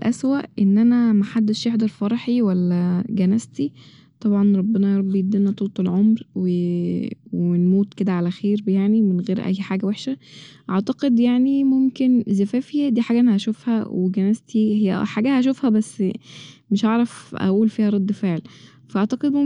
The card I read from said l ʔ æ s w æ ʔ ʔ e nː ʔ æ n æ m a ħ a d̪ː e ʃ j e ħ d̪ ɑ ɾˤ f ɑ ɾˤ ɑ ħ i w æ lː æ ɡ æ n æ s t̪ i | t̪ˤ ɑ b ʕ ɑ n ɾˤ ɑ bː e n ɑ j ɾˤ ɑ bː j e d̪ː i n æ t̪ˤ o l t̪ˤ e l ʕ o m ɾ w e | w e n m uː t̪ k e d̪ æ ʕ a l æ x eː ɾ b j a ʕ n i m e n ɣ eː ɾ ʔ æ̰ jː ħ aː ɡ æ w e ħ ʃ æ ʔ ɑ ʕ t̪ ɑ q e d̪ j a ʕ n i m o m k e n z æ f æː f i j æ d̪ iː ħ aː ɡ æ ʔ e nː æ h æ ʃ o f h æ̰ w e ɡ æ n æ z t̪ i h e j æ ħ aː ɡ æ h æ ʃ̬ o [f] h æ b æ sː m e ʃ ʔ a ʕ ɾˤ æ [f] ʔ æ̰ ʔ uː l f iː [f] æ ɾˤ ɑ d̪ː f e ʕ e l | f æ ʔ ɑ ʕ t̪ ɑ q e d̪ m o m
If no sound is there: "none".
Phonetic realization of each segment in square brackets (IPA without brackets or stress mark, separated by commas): f, f, h